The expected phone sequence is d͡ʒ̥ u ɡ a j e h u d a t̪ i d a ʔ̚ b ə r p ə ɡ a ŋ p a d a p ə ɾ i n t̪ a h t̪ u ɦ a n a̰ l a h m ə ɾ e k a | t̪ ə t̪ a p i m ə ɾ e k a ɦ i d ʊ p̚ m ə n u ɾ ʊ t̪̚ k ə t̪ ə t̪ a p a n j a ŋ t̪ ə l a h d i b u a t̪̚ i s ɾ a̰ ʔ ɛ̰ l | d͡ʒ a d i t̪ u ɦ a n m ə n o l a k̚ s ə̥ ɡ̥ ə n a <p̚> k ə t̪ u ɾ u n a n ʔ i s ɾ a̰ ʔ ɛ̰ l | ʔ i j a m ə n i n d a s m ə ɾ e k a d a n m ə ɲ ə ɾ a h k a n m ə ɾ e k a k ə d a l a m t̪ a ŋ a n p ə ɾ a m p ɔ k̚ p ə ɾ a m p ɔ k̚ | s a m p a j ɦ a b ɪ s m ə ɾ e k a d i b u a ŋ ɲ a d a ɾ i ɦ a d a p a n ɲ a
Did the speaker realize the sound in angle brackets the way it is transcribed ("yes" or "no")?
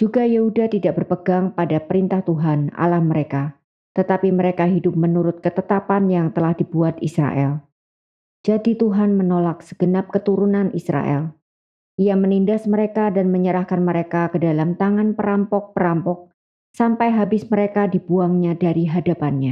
yes